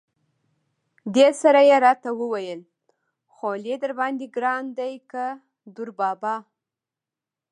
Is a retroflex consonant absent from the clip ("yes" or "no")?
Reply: yes